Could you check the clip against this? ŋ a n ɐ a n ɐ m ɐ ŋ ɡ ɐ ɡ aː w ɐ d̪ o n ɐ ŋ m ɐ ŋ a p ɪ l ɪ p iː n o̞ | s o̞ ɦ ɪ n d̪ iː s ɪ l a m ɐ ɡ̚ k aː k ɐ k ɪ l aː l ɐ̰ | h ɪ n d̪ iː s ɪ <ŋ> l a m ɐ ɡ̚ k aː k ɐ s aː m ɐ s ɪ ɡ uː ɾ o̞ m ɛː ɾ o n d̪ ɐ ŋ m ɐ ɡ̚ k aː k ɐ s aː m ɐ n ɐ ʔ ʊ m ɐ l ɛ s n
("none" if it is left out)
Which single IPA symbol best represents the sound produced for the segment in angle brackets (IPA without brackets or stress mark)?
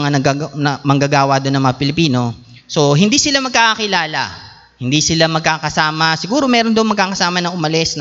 none